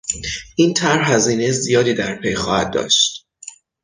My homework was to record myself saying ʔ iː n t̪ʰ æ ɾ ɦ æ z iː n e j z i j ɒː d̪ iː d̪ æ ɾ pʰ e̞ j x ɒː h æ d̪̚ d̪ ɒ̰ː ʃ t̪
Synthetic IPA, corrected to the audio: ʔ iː n t̪ʰ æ ɾ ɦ æ z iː n e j z i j ɒː d̪ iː d̪ æ ɾ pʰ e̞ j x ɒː h æ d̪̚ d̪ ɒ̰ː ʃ t̪